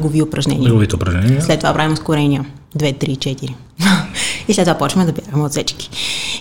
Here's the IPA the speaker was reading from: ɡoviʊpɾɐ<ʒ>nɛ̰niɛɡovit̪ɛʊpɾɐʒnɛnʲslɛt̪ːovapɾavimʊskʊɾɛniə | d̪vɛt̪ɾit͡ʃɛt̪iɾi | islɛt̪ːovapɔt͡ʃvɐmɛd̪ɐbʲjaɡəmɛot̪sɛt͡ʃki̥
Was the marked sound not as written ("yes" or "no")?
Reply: no